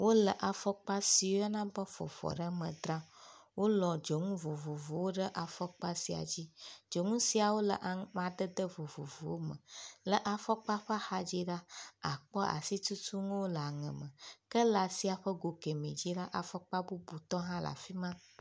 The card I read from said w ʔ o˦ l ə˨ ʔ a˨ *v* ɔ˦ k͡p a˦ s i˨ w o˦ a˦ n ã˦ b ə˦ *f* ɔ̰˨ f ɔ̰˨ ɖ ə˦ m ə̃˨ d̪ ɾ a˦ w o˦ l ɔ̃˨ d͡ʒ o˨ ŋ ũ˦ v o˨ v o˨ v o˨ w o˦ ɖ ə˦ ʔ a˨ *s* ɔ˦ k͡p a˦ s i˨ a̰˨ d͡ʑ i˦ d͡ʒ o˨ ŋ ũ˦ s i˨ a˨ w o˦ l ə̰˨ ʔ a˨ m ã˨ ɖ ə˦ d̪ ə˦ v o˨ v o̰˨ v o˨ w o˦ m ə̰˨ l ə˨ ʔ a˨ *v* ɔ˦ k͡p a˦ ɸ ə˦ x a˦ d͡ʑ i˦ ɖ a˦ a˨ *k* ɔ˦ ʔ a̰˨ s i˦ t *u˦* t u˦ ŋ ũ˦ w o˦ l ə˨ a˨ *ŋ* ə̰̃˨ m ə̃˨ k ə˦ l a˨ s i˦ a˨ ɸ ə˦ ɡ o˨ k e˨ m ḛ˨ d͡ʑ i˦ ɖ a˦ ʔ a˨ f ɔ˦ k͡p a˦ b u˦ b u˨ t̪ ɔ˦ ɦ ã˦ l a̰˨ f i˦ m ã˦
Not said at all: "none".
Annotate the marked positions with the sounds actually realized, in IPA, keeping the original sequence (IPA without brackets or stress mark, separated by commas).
f, f, f, f, k͡p, u˦, ŋ